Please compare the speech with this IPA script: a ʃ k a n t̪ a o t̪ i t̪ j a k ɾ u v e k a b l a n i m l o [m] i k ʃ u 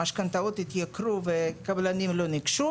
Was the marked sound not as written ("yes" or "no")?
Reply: yes